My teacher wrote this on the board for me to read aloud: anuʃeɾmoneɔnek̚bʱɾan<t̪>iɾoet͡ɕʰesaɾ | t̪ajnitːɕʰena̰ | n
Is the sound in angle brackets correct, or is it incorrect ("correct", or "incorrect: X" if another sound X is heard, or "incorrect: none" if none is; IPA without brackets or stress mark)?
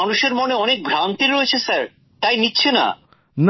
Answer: correct